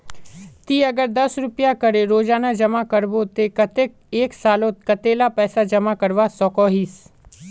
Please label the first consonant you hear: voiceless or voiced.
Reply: voiceless